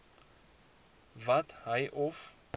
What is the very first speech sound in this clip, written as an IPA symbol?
v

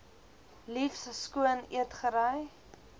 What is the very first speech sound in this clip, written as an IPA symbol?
l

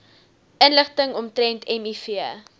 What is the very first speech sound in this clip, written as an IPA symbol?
ə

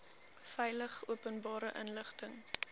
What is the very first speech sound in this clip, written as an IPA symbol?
f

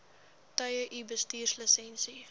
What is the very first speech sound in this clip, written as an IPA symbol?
t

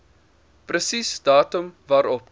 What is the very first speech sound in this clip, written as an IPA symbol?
p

